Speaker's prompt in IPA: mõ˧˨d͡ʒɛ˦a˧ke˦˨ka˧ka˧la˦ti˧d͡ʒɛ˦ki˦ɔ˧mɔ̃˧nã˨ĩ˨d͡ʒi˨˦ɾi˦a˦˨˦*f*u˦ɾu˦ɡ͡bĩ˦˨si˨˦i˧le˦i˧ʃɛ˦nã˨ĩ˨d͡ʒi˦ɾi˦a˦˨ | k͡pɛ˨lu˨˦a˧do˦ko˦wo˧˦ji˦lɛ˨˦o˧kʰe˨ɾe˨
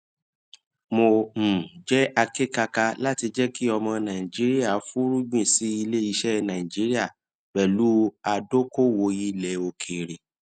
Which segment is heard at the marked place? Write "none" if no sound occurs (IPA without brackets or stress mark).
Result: f